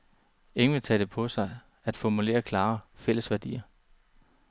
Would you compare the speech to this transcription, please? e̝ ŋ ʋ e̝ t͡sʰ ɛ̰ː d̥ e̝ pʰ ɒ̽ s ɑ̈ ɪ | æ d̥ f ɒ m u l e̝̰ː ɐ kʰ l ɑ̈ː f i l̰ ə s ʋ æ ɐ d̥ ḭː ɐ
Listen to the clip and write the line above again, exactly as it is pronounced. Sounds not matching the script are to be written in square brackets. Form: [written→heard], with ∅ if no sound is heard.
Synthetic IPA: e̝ ŋ ʋ e̝ t͡sʰ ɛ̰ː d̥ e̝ pʰ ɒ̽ s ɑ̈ ɪ | æ d̥ f ɒ m u l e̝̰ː ɐ kʰ l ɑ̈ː f [i→e] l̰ ə s ʋ æ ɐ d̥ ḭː ɐ